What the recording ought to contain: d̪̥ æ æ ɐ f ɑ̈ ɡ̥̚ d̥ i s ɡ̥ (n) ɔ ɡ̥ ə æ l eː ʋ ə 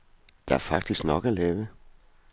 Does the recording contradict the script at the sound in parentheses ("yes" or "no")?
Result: no